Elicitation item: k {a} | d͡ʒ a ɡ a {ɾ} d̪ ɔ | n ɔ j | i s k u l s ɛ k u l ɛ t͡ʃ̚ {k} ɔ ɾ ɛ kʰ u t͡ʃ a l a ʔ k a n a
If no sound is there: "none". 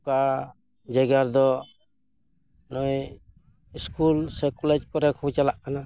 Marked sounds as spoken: a, ɾ, k

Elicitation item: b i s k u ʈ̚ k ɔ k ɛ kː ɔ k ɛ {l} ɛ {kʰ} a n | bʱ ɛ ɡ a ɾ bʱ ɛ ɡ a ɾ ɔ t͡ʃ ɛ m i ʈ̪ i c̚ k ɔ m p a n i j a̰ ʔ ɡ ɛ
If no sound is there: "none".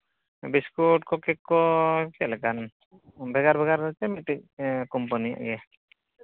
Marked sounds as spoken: l, k

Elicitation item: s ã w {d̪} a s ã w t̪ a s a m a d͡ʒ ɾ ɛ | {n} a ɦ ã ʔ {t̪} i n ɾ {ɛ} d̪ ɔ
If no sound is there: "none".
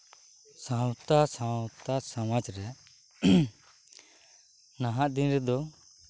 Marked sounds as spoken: t̪, n, d̪, ɛ

